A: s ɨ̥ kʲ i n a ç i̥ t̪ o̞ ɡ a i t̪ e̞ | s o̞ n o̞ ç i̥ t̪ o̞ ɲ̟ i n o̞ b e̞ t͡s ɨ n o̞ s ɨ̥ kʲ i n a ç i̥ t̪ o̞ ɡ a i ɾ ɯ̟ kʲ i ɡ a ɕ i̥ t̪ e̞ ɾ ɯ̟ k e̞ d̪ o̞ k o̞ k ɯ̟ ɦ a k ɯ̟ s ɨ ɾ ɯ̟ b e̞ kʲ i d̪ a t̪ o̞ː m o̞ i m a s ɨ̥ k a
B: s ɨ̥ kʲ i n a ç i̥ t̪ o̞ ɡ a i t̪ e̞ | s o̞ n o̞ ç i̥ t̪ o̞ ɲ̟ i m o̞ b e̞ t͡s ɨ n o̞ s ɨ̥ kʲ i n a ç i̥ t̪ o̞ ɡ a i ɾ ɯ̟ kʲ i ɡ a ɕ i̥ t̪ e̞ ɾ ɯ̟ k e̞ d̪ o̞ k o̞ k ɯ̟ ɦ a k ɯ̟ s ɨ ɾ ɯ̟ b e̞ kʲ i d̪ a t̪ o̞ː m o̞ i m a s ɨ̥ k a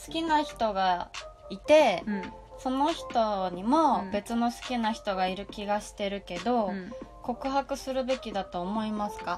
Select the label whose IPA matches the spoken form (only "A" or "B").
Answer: B